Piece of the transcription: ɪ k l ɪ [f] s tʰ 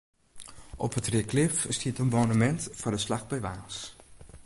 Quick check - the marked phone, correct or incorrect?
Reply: correct